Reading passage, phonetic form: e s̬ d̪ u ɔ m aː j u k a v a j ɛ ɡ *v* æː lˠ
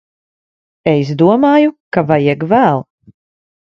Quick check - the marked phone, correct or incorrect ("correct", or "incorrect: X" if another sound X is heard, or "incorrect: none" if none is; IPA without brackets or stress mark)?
correct